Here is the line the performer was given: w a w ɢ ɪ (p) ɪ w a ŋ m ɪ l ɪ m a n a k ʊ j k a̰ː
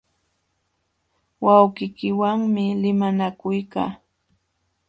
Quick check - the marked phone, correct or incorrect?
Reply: incorrect